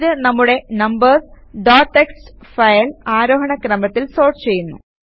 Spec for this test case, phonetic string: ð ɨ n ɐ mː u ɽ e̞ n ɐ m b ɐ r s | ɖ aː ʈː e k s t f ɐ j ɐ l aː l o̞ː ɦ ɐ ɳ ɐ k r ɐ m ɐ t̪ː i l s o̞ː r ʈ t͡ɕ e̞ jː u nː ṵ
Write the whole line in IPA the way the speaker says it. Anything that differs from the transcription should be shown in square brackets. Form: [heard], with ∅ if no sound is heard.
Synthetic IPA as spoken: ð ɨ n ɐ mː u ɽ e̞ n ɐ m b ɐ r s | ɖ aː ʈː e k s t f ɐ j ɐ l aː [ɾ] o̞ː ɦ ɐ ɳ ɐ k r ɐ m ɐ t̪ː i l s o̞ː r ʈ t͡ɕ e̞ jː u nː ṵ